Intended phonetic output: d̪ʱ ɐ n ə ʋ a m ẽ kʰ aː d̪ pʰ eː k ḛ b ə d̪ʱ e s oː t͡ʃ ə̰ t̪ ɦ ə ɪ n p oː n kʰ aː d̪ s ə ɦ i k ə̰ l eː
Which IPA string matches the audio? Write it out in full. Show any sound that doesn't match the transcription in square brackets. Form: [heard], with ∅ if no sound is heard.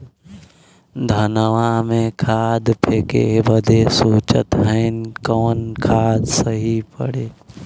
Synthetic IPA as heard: d̪ʱ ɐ n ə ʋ a m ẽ kʰ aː d̪ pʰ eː k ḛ b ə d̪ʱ e s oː t͡ʃ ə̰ t̪ ɦ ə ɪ n [k] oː n kʰ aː d̪ s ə ɦ i [p] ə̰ [ɽ] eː

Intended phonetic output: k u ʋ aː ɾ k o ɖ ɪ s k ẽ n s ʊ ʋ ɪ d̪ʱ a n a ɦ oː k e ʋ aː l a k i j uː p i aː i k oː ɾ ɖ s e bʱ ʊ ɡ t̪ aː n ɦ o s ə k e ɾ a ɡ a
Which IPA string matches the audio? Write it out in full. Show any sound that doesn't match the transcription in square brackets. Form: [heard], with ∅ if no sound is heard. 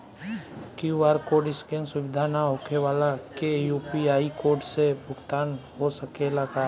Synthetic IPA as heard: k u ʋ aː ɾ k o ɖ ɪ s k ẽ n s ʊ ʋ ɪ d̪ʱ a n a ɦ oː k e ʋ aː l a k [e] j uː p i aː i k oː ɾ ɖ s e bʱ ʊ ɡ t̪ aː n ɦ o s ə k e [l] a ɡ a

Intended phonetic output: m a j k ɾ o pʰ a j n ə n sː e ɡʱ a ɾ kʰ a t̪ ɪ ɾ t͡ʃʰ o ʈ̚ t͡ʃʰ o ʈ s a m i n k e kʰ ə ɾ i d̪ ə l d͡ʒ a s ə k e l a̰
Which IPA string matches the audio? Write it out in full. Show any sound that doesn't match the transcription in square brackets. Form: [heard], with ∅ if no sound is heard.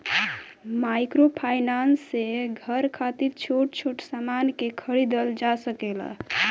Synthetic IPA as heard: m a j k ɾ o pʰ a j n [a] n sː e ɡʱ [ə] ɾ kʰ a t̪ [i] ɾ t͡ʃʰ o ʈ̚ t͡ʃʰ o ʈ s a m [a] n k e kʰ ə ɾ i d̪ ə l d͡ʒ a s ə k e l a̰

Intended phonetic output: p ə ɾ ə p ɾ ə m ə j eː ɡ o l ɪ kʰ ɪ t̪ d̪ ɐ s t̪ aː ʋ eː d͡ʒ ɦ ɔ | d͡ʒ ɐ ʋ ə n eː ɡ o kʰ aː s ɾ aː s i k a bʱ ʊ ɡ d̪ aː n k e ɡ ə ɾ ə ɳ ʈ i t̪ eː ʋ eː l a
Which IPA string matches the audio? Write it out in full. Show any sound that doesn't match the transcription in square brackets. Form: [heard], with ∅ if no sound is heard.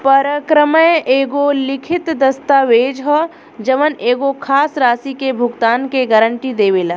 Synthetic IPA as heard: p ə ɾ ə [k] ɾ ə m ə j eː ɡ o l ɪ kʰ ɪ t̪ d̪ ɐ s t̪ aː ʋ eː d͡ʒ ɦ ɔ | d͡ʒ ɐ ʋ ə n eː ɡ o kʰ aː s ɾ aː s i k [e] bʱ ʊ ɡ [t̪] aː n k e ɡ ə ɾ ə ɳ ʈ i [d̪] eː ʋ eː l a

